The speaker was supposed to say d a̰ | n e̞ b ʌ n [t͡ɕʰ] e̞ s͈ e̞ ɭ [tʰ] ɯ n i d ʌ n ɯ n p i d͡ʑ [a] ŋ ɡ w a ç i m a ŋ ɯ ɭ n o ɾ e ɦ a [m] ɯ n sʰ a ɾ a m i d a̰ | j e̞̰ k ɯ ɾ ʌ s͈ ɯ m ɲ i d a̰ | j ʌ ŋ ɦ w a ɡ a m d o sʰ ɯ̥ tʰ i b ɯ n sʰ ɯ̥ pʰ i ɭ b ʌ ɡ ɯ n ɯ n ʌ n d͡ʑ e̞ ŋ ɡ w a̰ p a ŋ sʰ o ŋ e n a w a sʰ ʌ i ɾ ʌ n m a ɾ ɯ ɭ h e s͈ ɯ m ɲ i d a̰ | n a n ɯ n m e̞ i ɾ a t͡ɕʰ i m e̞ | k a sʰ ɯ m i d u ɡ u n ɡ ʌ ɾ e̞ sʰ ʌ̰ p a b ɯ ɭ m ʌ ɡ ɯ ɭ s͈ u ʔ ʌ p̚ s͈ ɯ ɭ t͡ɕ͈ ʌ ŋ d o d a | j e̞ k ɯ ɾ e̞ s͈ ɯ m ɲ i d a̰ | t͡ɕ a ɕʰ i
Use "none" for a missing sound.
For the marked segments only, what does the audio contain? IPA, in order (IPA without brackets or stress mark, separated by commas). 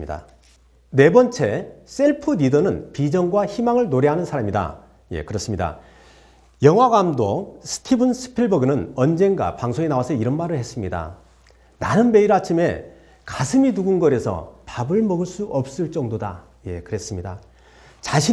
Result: t͡ɕʰ, pʰ, ʌ, n